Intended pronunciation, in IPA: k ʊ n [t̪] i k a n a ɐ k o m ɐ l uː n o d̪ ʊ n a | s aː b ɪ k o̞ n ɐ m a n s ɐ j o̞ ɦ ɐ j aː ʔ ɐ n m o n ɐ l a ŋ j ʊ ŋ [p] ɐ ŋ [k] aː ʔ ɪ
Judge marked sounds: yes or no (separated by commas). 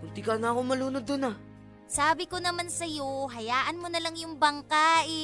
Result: yes, no, yes